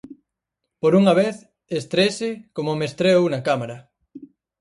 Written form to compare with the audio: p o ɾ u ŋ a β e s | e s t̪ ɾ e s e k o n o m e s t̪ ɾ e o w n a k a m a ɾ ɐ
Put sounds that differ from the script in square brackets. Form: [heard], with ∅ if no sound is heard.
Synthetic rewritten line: p o ɾ u ŋ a β e [θ] | e s t̪ ɾ e s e k o [m] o m e s t̪ ɾ e o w n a k a m a ɾ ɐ